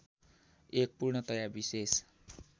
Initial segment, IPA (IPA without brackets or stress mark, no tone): e